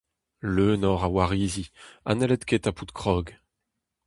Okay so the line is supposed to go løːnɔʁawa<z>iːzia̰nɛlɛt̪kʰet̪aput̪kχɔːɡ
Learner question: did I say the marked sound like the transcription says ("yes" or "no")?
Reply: no